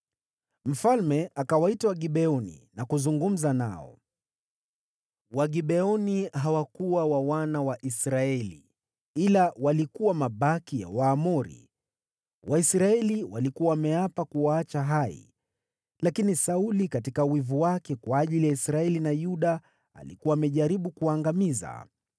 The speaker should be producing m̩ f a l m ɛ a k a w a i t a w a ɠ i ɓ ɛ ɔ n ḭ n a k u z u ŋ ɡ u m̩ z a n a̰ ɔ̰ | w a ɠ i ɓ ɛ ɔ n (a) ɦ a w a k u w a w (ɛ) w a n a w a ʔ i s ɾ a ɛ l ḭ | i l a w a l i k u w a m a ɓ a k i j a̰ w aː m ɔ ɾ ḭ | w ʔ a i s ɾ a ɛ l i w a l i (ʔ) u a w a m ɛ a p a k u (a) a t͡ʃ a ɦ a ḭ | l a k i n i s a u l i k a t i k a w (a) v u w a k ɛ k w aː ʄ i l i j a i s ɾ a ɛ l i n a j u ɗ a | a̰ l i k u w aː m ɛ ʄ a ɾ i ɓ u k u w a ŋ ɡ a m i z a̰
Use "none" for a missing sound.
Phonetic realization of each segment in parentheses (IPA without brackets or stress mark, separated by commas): i, a, k, a, i